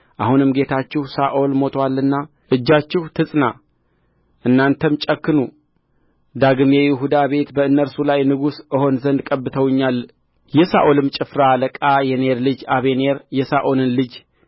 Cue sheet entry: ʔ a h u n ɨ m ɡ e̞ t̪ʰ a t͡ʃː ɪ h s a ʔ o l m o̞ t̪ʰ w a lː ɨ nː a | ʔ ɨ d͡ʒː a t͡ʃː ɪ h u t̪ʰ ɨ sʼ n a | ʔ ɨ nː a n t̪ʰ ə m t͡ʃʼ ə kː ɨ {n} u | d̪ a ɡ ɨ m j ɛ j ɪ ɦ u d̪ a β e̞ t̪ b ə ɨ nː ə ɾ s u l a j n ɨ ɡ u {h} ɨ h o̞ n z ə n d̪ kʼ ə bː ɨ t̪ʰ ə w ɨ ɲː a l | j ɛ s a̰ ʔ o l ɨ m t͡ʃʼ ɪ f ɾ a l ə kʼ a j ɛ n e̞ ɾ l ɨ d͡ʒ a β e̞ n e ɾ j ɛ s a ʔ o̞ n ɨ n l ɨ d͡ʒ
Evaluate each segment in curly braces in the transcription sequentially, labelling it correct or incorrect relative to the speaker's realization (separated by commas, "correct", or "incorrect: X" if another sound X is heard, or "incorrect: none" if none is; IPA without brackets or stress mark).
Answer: correct, incorrect: s